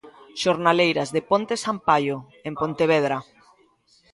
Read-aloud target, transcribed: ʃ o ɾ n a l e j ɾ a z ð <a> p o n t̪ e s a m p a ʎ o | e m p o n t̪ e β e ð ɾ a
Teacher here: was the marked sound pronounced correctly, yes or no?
no